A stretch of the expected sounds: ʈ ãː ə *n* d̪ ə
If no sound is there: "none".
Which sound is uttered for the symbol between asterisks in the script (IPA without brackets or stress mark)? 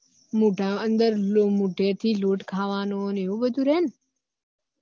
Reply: n